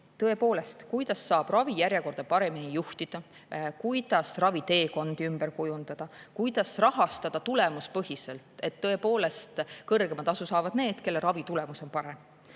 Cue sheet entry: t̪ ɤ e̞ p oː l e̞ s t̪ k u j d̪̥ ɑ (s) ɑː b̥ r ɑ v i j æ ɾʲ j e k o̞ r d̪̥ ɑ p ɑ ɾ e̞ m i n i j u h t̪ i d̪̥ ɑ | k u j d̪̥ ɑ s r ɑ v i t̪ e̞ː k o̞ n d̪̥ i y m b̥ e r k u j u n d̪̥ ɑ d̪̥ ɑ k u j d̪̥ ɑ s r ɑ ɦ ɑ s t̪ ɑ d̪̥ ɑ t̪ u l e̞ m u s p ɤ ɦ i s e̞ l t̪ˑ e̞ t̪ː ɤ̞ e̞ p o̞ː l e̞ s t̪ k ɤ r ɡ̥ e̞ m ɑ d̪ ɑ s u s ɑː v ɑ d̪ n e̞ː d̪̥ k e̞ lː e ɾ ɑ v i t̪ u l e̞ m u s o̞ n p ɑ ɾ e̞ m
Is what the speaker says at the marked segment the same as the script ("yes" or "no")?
no